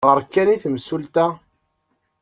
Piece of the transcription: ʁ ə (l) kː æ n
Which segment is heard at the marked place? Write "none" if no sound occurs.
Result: ɾ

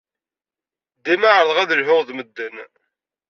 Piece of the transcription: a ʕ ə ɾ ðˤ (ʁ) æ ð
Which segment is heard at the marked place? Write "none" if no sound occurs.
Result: ʁ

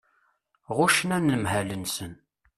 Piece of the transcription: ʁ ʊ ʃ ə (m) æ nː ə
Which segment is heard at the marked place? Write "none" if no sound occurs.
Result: n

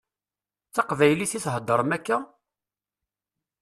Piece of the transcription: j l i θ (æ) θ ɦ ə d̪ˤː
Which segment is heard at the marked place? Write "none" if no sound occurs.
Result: i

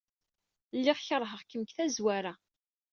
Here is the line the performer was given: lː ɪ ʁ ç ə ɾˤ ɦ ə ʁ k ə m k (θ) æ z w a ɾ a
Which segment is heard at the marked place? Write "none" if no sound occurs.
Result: θ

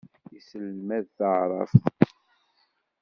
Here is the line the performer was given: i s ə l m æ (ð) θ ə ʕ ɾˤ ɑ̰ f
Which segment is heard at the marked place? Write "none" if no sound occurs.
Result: ð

